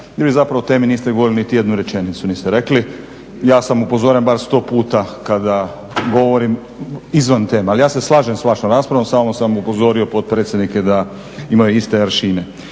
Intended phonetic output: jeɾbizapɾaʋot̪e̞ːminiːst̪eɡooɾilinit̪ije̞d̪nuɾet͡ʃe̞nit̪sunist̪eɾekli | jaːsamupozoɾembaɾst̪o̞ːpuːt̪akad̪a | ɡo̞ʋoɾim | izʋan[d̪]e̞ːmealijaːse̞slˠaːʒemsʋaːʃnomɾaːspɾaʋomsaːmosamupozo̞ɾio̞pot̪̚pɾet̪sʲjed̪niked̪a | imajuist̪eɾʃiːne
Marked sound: incorrect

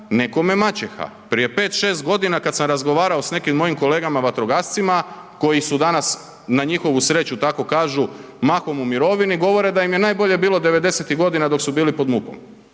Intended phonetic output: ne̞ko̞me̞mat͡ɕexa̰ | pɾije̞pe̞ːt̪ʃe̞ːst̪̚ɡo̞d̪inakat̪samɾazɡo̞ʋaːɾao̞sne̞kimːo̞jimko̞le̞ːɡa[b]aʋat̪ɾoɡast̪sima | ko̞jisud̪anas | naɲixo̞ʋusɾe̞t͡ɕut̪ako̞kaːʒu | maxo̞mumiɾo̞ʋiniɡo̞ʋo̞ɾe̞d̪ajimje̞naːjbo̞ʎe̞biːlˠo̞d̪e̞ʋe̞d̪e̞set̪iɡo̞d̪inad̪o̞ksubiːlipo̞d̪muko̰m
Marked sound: incorrect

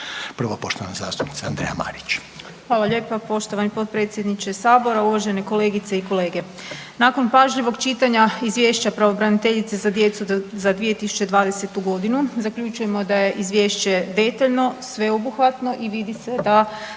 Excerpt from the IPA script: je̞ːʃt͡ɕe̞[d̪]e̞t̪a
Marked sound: correct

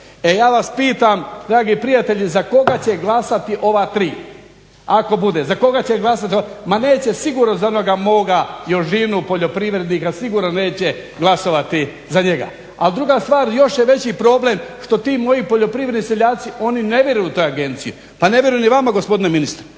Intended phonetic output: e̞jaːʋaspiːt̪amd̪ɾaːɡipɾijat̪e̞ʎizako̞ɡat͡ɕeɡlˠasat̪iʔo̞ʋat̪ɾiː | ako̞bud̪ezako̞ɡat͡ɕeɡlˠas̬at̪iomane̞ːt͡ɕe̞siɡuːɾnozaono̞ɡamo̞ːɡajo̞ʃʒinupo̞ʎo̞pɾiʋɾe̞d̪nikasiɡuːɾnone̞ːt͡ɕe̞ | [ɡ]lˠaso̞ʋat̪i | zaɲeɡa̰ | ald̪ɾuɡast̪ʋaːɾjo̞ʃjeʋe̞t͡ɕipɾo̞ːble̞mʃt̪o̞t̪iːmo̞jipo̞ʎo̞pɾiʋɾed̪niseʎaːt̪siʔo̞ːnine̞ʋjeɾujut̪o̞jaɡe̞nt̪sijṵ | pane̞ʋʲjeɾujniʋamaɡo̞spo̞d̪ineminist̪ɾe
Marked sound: correct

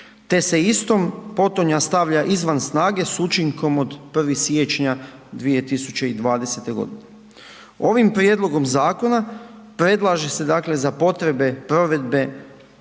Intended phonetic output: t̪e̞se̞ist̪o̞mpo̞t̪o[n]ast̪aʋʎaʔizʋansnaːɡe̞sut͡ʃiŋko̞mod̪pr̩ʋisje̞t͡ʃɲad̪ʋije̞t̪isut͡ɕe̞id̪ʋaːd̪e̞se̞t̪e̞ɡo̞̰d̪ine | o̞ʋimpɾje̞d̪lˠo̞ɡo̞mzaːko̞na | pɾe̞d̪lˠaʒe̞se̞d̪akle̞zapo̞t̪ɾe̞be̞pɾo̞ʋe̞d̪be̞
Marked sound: incorrect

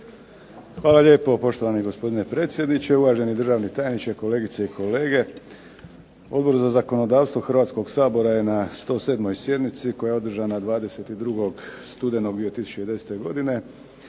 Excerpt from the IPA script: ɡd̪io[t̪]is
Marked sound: correct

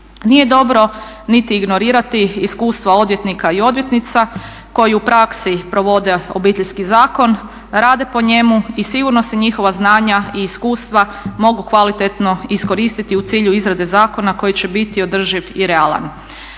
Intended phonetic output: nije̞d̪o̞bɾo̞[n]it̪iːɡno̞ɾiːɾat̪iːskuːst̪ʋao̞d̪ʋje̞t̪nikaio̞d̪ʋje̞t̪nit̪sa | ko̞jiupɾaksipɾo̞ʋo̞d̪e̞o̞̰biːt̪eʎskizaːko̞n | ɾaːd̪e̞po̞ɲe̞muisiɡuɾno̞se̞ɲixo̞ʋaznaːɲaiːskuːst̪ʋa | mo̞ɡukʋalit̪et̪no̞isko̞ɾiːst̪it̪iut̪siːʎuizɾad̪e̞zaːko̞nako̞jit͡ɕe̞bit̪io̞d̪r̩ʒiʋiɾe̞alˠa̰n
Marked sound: correct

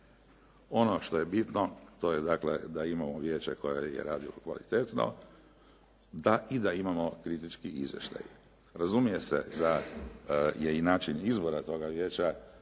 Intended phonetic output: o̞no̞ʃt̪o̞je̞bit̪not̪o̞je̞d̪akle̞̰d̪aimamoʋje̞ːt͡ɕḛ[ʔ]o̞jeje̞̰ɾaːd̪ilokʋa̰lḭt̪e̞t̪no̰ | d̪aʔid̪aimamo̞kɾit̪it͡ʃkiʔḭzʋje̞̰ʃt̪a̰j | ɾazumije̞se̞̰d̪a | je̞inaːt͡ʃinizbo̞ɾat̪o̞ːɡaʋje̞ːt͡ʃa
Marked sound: incorrect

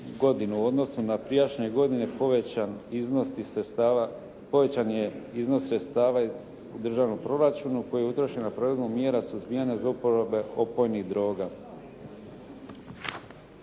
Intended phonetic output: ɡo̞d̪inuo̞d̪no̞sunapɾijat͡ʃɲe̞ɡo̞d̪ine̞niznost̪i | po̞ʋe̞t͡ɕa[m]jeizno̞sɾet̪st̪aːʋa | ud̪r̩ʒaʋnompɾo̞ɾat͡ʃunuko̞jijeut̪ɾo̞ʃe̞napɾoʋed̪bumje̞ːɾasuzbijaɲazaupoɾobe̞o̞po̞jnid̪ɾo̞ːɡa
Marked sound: incorrect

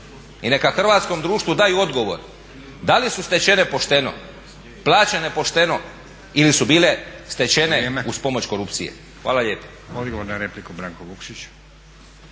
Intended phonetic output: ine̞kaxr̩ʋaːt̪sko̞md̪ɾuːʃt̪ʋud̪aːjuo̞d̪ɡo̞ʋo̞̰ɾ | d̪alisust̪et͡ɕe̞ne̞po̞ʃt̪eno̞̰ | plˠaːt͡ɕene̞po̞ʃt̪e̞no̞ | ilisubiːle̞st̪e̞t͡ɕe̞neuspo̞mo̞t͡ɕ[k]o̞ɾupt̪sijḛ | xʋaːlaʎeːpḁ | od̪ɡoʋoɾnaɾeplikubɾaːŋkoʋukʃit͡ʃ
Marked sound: correct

